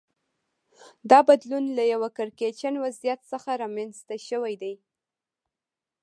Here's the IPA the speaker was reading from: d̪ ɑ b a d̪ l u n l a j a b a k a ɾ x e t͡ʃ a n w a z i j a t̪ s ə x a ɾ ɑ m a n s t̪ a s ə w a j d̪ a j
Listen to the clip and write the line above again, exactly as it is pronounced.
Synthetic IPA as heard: d̪ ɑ b a d̪ l u n l a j a w a k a ɾ k e t͡ʃ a n w a z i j a t̪ s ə x a ɾ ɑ m a n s t̪ a ʃ ə w a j d̪ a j

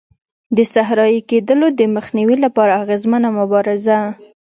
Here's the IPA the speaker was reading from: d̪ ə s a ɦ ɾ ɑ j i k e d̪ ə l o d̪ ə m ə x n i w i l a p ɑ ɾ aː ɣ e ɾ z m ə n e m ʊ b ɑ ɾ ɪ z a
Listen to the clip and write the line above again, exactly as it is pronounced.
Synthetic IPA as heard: d̪ ə s a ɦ ɾ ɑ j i k e d̪ ə l o d̪ ə m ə x n i w i l a p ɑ ɾ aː ɣ e z m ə n a m ʊ b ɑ ɾ ɪ z a

